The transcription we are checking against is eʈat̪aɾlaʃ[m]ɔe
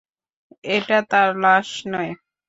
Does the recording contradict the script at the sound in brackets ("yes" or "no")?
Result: yes